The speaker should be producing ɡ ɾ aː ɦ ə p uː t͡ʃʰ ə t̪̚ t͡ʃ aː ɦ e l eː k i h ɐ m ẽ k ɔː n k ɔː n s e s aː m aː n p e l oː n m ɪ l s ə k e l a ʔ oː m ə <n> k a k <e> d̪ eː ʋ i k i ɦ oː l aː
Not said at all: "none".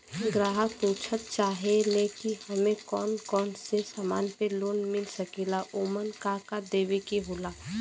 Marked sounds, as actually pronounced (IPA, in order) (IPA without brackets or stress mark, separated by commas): n, a